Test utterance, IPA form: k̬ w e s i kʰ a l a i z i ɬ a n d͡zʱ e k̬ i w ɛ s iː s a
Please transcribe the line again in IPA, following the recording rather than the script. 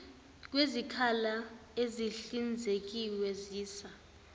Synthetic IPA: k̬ w e z i kʰ a l a e z i ɬ i n d͡zʱ e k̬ i w ɛ z iː s a